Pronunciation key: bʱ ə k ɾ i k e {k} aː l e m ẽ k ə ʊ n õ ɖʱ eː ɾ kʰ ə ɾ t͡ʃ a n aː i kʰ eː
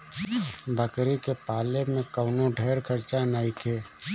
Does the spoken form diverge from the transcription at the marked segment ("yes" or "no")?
yes